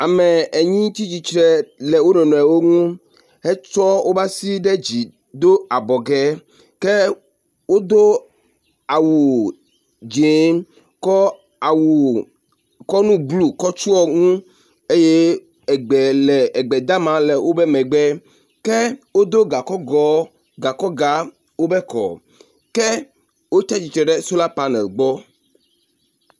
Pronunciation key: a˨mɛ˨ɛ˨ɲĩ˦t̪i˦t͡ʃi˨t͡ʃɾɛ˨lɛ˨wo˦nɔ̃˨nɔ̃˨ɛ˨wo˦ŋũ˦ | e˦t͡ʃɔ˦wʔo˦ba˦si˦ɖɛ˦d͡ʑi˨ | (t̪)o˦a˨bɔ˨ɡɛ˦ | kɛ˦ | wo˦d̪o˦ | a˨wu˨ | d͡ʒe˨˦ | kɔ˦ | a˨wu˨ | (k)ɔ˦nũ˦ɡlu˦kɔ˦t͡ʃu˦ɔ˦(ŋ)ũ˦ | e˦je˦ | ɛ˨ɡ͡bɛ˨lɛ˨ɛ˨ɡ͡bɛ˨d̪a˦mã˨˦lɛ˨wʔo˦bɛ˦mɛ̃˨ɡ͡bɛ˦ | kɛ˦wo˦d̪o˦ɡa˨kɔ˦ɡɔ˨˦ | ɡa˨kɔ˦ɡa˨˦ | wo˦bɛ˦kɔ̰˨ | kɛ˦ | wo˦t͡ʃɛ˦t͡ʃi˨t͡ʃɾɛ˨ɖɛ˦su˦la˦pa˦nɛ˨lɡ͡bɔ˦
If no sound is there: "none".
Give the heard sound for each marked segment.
d̪, k, ŋ

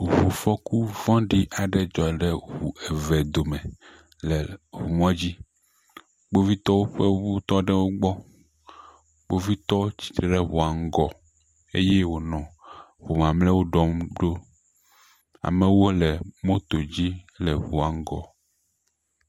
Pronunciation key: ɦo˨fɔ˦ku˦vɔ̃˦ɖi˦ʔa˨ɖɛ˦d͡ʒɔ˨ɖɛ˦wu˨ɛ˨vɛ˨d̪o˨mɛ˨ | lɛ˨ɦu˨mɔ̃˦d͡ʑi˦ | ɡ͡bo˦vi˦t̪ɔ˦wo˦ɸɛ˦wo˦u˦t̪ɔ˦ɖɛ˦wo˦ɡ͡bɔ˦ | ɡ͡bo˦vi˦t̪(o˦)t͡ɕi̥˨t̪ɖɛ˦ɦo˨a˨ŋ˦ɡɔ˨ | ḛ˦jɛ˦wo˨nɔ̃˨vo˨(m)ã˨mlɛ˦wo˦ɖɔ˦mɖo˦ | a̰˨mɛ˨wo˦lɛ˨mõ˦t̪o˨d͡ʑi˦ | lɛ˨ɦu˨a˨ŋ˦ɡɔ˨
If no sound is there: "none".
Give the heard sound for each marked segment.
ɔ˦, m

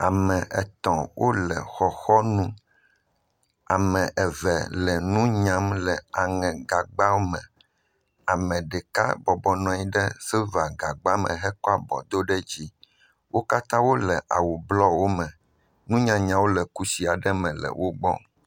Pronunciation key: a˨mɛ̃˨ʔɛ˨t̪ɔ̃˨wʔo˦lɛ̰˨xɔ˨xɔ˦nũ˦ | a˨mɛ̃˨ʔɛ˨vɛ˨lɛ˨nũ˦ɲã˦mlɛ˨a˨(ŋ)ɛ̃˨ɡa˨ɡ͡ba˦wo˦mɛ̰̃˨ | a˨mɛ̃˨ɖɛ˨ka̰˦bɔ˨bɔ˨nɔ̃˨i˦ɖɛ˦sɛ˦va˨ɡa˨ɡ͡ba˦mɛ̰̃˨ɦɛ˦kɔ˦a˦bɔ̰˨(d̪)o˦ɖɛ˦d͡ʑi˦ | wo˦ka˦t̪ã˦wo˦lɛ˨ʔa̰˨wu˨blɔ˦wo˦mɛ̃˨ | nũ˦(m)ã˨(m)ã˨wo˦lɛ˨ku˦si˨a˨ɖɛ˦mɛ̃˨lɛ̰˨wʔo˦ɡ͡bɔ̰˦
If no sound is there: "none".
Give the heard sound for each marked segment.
ŋ, d̪, ɲ, ɲ

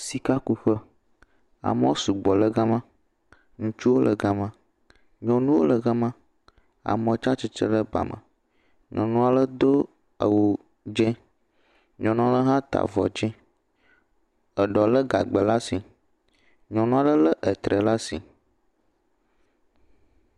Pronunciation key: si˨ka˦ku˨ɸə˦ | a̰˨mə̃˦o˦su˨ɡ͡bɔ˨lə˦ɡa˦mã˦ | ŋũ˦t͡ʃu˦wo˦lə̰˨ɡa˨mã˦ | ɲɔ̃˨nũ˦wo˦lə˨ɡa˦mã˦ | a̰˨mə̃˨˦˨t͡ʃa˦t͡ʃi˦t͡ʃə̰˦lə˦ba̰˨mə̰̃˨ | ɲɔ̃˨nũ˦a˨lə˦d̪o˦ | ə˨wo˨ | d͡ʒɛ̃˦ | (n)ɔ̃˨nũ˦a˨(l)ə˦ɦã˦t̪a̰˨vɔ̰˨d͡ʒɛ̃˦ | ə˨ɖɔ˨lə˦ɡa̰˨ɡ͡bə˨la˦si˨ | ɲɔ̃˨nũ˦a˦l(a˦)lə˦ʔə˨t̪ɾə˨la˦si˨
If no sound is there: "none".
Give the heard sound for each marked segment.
ɲ, l, ə˦

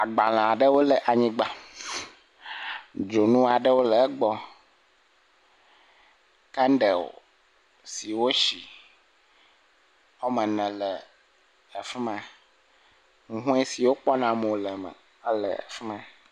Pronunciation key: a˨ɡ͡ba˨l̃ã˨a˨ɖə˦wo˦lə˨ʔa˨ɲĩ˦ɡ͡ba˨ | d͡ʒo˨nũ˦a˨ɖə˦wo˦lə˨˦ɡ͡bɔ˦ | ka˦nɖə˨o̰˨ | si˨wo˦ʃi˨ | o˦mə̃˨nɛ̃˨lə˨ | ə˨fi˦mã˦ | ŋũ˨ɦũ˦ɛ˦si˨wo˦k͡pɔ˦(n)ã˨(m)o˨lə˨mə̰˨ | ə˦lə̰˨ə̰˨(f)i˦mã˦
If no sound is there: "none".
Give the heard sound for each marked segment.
n, m, f

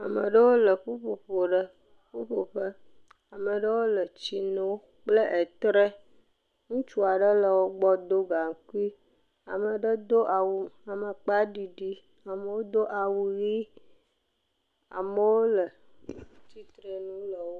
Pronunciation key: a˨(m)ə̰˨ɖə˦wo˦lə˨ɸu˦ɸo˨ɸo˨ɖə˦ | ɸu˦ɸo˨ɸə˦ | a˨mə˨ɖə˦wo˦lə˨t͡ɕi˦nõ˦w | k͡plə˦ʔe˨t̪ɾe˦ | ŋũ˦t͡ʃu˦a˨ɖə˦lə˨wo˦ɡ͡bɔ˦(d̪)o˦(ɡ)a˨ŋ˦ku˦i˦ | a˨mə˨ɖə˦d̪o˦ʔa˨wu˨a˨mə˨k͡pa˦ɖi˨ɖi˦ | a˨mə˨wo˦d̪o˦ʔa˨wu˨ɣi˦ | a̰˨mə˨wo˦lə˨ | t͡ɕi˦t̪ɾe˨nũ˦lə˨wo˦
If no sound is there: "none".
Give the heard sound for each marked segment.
m, d̪, ɡ

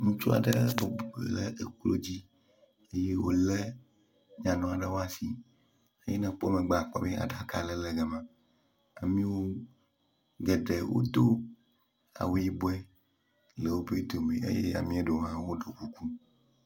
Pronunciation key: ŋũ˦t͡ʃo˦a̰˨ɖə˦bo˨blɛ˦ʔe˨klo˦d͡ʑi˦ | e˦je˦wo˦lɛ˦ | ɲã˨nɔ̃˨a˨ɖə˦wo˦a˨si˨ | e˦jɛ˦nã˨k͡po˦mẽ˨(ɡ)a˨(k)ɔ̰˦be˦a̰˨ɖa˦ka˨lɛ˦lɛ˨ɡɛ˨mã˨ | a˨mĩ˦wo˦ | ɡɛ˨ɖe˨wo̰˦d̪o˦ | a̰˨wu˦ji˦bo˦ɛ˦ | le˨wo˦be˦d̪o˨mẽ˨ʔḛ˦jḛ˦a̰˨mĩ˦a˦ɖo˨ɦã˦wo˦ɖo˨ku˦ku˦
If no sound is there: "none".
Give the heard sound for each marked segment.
ɡ͡b, k͡p

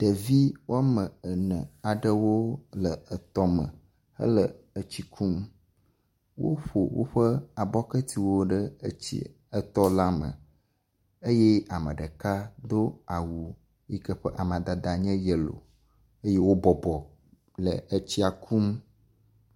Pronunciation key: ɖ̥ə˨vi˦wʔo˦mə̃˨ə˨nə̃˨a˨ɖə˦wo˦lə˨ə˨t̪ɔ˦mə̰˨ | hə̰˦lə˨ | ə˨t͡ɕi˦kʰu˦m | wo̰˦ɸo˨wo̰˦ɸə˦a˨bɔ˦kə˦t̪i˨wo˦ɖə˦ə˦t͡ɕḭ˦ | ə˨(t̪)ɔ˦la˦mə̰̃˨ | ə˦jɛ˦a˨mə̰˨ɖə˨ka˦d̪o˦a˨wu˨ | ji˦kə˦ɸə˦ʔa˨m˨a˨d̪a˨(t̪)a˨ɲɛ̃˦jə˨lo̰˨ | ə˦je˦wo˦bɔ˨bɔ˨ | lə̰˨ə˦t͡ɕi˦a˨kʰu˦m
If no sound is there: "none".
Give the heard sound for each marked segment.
t̪, d̪

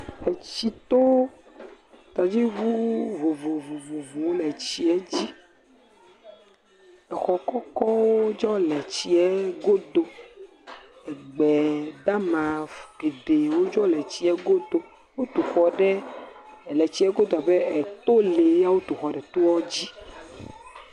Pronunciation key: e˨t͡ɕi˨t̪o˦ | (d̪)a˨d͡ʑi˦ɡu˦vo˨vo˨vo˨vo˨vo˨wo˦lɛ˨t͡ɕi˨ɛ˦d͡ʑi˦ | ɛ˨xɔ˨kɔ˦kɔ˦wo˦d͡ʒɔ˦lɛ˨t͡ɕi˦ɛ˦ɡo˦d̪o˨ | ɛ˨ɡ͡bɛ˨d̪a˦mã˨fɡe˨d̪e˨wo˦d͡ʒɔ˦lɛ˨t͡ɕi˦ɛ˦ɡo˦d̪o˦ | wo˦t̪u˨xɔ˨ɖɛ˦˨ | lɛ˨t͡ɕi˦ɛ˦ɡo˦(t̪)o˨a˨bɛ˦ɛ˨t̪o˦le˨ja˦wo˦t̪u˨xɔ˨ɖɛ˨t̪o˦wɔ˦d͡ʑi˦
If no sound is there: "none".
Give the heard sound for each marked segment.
t̪, d̪

